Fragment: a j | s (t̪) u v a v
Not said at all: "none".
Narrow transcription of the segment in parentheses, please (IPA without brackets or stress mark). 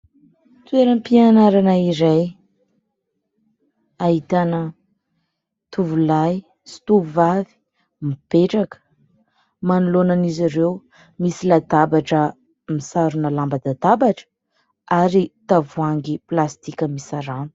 t̪